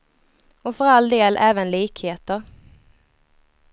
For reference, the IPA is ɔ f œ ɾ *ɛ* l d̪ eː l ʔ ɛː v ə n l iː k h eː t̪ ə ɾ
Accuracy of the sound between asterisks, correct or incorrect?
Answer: incorrect